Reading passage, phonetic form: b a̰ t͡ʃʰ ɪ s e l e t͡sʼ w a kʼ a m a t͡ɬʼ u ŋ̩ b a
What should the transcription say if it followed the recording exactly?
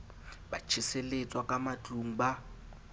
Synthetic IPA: b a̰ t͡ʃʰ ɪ s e l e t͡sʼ w a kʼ a m a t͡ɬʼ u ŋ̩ b a